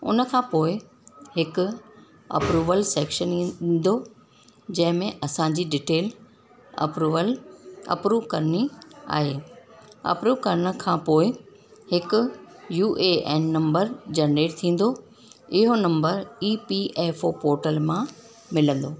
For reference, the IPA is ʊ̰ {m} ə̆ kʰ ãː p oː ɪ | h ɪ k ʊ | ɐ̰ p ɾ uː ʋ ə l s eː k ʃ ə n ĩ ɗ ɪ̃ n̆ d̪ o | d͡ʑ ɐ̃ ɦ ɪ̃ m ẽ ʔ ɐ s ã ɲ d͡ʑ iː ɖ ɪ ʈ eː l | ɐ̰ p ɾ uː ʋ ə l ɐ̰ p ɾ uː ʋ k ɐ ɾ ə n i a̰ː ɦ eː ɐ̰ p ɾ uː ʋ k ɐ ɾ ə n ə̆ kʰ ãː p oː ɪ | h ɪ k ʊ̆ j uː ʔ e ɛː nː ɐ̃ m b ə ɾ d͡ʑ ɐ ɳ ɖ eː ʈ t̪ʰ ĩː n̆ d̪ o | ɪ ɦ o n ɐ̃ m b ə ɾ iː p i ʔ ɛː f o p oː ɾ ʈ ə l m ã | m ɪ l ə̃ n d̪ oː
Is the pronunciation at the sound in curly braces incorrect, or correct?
incorrect